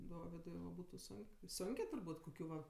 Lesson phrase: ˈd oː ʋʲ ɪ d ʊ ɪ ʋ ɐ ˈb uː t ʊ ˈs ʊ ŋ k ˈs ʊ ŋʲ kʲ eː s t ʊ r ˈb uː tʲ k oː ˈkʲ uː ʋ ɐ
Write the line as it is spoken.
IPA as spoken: ˈd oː ʋʲ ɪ d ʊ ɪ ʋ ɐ ˈb uː t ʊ ˈs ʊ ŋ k ˈs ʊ ŋʲ kʲ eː t ʊ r ˈb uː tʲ k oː ˈkʲ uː ʋ ɐ